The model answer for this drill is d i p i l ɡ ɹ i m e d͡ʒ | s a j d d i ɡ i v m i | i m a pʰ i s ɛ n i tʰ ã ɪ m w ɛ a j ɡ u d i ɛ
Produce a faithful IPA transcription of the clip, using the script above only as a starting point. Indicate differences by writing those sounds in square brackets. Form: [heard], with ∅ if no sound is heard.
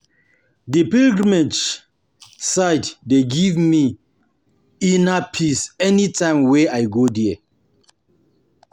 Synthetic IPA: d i p i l ɡ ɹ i m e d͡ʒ | s a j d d [e] ɡ i v m i | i [n] a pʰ i s ɛ n i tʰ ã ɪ m w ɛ a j ɡ [o] d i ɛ